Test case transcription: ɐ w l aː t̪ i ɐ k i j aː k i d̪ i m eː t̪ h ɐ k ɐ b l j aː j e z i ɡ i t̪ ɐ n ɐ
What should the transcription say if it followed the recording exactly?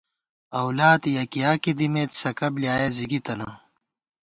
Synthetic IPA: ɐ w l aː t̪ j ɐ k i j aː k i d̪ i m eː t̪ s ɐ k ɐ b l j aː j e z i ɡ i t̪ ɐ n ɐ